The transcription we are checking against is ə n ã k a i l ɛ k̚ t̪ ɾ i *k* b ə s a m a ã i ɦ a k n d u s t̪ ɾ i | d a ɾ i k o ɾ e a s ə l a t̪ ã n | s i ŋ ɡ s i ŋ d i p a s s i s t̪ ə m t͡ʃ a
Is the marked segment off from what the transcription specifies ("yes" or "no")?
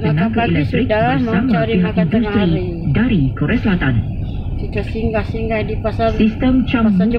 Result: no